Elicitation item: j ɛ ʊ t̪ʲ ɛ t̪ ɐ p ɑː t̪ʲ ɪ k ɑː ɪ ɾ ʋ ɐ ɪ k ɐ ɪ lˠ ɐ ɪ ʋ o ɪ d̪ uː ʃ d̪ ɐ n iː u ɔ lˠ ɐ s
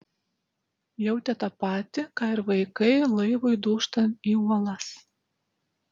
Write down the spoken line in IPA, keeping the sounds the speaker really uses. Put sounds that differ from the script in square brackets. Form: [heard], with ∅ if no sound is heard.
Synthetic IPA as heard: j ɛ ʊ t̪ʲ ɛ t̪ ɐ p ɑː t̪ʲ ɪ k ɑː ɪ ɾ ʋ ɐ ɪ k ɐ ɪ lˠ ɐ ɪ ʋ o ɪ d̪ uː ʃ [t̪] ɐ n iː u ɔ lˠ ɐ s